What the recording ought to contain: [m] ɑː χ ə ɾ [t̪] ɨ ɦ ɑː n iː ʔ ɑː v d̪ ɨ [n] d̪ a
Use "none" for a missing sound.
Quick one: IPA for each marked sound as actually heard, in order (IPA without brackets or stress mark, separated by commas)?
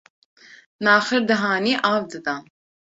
n, d̪, none